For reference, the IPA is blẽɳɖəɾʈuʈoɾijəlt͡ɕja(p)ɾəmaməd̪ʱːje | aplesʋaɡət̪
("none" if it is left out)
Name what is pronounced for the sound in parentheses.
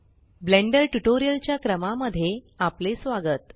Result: k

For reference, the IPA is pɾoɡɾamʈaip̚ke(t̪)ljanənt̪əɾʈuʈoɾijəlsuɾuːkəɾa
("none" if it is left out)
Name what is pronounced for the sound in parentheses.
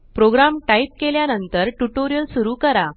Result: none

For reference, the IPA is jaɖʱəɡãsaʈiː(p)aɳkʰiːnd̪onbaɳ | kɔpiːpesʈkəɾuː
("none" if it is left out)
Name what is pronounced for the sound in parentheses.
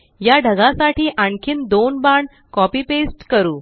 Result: ʔ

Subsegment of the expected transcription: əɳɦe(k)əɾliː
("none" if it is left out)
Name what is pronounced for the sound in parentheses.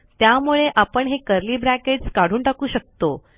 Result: k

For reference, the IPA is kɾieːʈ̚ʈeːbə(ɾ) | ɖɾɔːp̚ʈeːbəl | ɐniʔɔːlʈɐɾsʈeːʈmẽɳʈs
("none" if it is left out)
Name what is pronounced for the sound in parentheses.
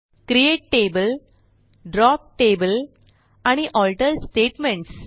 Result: l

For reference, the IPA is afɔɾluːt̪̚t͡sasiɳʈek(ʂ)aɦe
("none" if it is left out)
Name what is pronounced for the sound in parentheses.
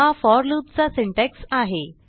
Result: s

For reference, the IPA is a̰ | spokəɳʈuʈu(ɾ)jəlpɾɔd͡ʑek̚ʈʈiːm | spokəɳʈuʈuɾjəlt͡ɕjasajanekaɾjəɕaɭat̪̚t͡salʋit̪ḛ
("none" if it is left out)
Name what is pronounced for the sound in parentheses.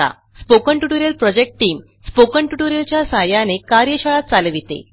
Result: ɾ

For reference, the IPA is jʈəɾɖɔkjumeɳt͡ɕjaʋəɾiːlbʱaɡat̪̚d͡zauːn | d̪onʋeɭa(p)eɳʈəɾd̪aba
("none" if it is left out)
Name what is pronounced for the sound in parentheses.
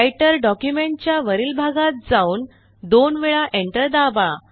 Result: ʔ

